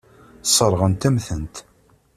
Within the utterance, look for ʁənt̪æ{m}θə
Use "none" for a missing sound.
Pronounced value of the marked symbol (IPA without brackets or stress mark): m